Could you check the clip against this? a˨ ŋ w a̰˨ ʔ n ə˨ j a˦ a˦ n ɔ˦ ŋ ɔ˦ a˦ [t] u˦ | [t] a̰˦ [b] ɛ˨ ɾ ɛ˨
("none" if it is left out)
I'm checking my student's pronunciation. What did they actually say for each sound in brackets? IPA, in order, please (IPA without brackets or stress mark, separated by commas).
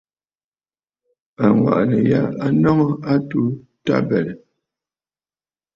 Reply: t, t, b